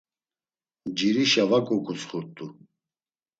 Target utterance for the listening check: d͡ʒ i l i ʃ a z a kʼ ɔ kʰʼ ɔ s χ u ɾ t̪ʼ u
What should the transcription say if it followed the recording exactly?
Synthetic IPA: d͡ʒ i ɾ i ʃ a v a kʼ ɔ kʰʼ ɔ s χ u ɾ t̪ʼ u

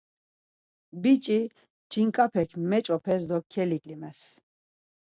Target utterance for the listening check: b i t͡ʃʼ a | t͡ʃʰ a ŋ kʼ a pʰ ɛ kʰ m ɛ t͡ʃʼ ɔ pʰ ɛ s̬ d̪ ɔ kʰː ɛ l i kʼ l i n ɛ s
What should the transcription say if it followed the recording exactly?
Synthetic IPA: b i t͡ʃʼ i | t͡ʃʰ i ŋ kʼ a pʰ ɛ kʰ m ɛ t͡ʃʼ ɔ pʰ ɛ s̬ d̪ ɔ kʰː ɛ l i kʼ l i m ɛ s

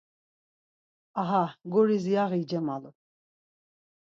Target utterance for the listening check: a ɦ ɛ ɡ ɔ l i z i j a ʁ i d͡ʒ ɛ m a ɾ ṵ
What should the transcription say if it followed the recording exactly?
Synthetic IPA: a ɦ a ɡ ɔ ɾ i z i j a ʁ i d͡ʒ ɛ m a l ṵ

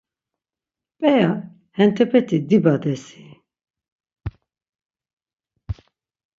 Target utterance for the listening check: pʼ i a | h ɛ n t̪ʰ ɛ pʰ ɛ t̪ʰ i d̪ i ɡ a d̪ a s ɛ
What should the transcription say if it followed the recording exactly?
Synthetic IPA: pʼ ɛ a | h ɛ n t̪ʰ ɛ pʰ ɛ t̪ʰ i d̪ i b a d̪ ɛ s i

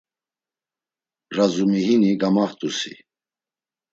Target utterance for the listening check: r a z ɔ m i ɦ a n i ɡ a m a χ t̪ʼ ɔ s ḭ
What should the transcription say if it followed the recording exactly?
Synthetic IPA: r a z u m i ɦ i n i ɡ a m a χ t̪ʼ u s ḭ

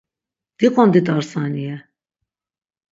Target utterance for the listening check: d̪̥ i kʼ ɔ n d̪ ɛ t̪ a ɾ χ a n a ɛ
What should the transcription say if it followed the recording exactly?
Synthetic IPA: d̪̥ i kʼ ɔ n d̪ i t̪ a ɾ s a n i ɛ

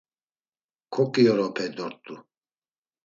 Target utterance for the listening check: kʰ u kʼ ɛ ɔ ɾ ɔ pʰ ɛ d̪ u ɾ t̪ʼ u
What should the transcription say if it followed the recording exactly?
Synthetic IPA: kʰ ɔ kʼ i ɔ ɾ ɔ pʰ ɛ d̪ ɔ ɾ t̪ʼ u

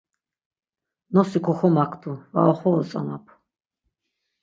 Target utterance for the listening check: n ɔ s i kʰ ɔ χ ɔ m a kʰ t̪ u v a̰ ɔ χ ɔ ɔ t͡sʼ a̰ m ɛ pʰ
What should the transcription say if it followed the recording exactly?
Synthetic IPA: n ɔ s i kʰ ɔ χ ɔ m a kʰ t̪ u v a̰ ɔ χ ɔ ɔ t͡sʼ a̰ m a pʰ

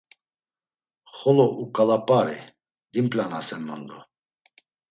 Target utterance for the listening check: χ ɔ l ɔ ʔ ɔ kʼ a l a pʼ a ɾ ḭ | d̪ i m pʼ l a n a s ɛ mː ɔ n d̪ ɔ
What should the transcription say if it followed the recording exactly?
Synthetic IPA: χ ɔ l ɔ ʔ u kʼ a l a pʼ a ɾ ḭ | d̪ i m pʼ l a n a s ɛ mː ɔ n d̪ ɔ

